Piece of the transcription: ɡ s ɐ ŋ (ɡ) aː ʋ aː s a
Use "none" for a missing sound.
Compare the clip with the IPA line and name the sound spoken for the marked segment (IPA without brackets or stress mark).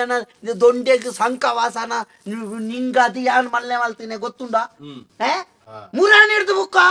k